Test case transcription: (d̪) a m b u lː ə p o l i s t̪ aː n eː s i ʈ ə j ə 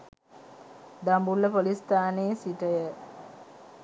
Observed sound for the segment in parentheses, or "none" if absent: d̪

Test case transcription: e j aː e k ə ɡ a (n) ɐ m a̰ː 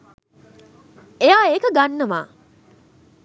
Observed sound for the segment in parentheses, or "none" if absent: nː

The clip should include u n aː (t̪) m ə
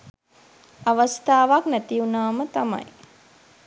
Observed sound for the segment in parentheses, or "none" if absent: none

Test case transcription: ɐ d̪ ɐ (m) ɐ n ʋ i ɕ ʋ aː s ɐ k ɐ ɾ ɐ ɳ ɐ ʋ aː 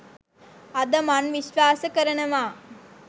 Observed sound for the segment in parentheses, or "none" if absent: m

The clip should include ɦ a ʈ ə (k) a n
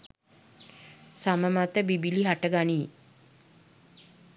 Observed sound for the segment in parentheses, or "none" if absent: ɡ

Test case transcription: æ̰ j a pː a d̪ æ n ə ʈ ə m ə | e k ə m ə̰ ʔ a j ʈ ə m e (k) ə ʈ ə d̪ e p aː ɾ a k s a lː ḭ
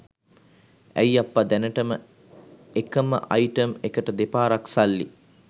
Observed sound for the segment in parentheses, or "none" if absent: k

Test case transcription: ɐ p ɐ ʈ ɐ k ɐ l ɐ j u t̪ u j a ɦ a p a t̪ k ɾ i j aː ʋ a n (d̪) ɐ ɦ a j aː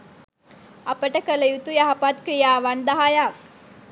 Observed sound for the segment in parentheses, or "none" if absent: d̪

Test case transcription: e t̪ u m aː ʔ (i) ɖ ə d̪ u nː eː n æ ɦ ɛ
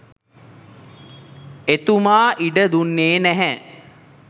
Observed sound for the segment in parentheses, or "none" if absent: i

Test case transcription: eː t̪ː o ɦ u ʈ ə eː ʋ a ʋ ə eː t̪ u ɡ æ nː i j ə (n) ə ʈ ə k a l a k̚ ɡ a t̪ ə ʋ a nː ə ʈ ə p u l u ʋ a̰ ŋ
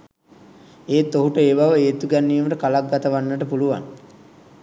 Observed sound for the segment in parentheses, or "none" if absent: m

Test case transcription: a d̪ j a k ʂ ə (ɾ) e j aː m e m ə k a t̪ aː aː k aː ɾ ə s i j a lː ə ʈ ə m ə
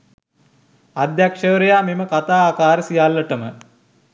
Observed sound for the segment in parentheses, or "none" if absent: ɾ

